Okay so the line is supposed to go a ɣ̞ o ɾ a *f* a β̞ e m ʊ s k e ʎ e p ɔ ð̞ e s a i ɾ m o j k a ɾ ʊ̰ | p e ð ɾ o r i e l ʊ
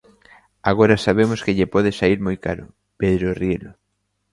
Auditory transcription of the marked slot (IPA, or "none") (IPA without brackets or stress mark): s